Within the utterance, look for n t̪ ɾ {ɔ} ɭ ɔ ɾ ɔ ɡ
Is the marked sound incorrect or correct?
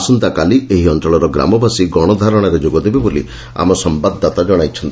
correct